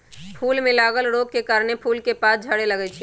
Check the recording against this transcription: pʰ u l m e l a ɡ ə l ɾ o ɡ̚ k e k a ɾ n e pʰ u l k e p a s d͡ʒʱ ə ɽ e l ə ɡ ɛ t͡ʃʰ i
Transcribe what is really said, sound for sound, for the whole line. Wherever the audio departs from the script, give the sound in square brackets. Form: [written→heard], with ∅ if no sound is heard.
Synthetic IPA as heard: pʰ u l m e l a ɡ ə l ɾ o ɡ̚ k e k a ɾ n e pʰ u l k e p a s d͡ʒʱ ə ɽ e l ə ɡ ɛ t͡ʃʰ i